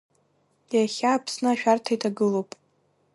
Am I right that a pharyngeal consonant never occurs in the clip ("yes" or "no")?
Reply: yes